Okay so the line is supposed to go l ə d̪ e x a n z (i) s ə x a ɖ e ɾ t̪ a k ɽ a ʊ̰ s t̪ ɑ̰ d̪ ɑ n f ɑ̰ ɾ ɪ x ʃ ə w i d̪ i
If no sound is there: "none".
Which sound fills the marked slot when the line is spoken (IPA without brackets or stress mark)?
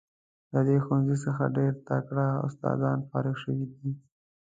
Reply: i